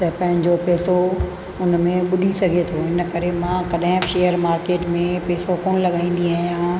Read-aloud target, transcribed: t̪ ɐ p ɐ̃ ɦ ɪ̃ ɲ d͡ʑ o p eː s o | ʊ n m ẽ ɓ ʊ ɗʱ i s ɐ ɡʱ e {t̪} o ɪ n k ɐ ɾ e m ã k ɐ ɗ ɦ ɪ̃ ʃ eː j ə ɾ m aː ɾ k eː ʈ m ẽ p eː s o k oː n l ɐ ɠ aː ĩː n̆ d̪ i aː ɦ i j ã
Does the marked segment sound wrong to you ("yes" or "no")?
yes